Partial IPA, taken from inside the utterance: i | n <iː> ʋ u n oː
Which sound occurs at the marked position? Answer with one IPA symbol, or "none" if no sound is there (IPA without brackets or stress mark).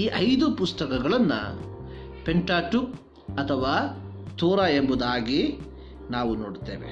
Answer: aː